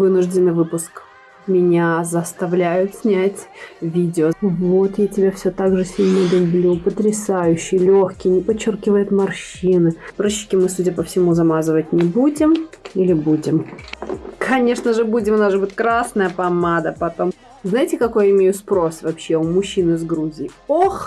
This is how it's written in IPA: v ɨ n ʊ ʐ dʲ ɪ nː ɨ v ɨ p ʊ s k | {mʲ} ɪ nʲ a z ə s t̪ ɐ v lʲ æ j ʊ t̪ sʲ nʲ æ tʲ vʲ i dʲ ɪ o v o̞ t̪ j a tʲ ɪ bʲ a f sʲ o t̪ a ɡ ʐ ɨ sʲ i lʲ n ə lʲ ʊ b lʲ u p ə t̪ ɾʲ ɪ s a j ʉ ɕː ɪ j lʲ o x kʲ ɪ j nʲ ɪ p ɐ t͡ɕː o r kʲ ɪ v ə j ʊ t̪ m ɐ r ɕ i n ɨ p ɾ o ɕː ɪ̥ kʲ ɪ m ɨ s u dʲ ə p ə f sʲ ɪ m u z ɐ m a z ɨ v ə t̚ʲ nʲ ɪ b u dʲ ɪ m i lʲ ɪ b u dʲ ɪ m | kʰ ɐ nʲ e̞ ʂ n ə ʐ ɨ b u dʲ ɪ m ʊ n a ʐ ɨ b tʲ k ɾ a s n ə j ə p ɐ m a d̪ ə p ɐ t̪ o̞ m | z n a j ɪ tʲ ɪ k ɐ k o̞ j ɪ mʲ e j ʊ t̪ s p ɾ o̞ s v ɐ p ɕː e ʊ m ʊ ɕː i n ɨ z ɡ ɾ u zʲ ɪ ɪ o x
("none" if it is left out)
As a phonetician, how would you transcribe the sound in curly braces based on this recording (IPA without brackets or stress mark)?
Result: mʲ